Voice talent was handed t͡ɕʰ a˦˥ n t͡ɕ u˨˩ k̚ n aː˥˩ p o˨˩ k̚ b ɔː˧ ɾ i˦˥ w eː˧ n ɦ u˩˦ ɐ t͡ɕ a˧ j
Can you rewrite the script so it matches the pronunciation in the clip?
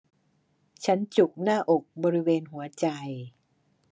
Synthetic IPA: t͡ɕʰ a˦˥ n t͡ɕ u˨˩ k̚ n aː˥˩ ʔ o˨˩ k̚ b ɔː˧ ɾ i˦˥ w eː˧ n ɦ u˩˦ ɐ t͡ɕ a˧ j

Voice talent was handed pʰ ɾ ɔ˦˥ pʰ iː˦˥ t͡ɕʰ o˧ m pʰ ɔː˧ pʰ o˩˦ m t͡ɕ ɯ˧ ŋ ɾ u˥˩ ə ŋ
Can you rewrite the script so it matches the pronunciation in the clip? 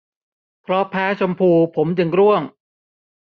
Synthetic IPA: pʰ ɾ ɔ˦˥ pʰ ɛː˦˥ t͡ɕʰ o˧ m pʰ uː˧ pʰ o˩˦ m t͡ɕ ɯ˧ ŋ ɾ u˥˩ ə ŋ

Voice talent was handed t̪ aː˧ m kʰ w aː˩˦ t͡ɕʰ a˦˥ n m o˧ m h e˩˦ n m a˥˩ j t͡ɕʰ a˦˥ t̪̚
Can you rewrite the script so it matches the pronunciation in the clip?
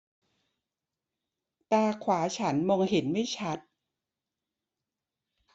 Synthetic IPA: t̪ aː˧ kʰ w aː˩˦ t͡ɕʰ a˦˥ n m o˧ ŋ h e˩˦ n m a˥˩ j t͡ɕʰ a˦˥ t̪̚

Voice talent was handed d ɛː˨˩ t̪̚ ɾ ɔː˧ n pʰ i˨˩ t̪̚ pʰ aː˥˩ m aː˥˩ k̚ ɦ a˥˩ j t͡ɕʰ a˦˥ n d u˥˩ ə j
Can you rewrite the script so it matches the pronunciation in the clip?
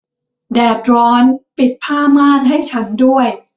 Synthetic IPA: d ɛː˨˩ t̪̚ ɾ ɔː˦˥ n p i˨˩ t̪̚ pʰ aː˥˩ m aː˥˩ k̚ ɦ a˥˩ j t͡ɕʰ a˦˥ n d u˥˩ ə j

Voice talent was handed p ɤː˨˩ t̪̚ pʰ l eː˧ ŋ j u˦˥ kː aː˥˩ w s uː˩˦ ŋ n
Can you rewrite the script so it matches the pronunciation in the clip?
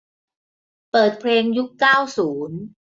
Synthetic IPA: p ɤː˨˩ t̪̚ pʰ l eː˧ ŋ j u˦˥ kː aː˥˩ w s uː˩˦ n

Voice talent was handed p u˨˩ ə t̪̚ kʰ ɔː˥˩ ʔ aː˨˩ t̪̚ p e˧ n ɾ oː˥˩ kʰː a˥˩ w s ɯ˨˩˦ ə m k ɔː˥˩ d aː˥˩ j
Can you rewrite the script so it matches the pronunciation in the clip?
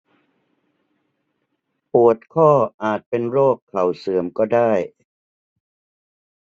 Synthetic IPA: p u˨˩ ə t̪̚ kʰ ɔː˥˩ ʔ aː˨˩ t̪̚ p e˧ n ɾ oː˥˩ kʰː a˨˩ w s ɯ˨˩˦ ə m k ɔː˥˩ d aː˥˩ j

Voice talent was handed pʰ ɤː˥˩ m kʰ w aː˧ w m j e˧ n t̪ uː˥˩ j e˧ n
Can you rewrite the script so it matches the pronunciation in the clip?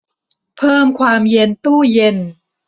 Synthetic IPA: pʰ ɤː˥˩ m kʰ w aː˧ m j e˧ n t̪ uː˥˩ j e˧ n

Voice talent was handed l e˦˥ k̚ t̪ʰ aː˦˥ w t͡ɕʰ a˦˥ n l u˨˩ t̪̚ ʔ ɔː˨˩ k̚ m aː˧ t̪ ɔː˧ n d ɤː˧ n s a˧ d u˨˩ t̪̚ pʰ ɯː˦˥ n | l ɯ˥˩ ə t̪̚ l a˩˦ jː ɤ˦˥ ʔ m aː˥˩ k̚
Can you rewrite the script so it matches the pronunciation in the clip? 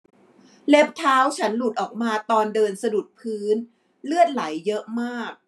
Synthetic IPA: l e˦˥ p̚ t̪ʰ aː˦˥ w t͡ɕʰ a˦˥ n l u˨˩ t̪̚ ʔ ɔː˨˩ k̚ m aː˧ t̪ ɔː˧ n d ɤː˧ n s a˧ d u˨˩ t̪̚ pʰ ɯː˦˥ n | l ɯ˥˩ ə t̪̚ l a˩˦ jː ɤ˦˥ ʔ m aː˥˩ k̚

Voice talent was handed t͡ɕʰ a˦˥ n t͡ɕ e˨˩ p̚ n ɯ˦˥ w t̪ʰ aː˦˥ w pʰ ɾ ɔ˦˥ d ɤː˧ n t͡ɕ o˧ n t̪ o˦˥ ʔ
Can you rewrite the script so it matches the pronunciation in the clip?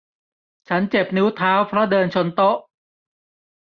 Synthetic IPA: t͡ɕʰ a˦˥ n t͡ɕ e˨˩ p̚ n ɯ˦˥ w t̪ʰ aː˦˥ w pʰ ɾ ɔ˦˥ d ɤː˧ n t͡ɕʰ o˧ n t̪ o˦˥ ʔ

